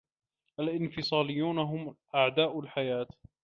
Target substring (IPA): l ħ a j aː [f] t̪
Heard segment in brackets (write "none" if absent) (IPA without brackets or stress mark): none